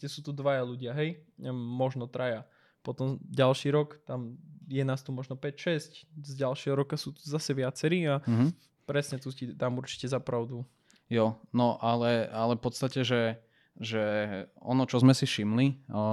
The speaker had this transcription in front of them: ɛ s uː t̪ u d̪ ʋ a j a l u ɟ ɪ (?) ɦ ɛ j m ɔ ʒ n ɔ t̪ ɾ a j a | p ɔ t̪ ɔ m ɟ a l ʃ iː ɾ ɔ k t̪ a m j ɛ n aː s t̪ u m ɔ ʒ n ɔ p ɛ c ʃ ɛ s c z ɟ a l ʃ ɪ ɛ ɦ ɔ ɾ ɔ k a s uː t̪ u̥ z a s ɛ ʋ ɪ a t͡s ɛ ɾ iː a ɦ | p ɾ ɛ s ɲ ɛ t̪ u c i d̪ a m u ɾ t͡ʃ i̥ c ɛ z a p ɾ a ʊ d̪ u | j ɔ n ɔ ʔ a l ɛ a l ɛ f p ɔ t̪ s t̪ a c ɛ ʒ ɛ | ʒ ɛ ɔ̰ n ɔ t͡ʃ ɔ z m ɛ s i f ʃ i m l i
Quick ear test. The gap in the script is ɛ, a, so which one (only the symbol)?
a